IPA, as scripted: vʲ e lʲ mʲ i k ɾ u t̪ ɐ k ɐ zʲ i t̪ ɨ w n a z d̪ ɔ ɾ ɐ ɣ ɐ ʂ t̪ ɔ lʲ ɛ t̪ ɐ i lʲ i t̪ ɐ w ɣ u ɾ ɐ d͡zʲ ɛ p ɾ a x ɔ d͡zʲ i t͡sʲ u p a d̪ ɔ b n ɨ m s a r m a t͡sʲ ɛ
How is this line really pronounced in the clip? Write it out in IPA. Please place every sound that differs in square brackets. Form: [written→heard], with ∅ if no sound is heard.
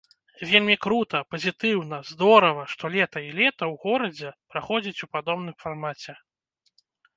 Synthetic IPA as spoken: vʲ e lʲ mʲ i k ɾ u t̪ ɐ [k→p] ɐ zʲ i t̪ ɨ w n [a→ɐ] z d̪ ɔ ɾ ɐ [ɣ→v] ɐ ʂ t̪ ɔ lʲ ɛ t̪ ɐ i lʲ [i→ɛ] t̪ ɐ w ɣ [u→ɔ] ɾ ɐ d͡zʲ ɛ p ɾ a x ɔ d͡zʲ i t͡sʲ u p a d̪ ɔ b n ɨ m [s→f] a r m a t͡sʲ ɛ